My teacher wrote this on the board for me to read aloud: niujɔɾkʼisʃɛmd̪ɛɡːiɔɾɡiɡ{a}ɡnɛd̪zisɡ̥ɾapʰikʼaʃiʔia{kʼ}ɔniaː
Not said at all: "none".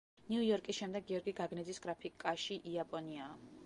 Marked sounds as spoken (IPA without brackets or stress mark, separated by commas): a, pʼ